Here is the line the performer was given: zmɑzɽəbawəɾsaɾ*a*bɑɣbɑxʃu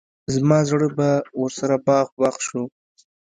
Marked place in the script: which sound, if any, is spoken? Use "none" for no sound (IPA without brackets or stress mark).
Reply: a